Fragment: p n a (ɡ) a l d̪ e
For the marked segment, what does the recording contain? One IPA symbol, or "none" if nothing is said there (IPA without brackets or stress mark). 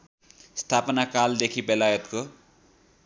k